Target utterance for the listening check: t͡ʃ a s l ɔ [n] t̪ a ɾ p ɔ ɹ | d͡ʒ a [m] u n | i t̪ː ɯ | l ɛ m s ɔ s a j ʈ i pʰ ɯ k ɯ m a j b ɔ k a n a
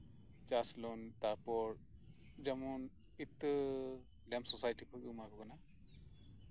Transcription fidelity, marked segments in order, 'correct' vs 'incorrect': correct, correct

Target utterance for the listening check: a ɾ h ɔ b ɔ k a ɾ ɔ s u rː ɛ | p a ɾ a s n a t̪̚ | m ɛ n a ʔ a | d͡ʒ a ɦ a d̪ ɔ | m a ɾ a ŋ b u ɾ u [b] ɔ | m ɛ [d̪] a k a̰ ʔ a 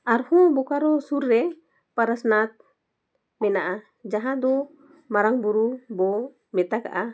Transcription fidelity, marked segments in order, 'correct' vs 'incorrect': correct, incorrect: t̪

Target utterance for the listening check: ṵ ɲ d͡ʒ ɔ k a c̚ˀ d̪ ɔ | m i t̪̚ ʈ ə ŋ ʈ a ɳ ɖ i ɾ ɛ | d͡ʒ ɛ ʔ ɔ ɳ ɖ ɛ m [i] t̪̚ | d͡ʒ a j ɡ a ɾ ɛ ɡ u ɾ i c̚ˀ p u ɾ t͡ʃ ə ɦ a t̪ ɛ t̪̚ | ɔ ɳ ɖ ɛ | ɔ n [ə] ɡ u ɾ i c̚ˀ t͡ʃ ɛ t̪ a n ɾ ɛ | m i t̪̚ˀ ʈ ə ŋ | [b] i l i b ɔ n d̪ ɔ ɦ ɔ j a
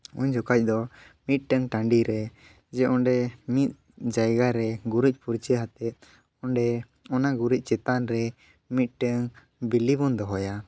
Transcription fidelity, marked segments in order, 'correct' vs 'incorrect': correct, incorrect: a, correct

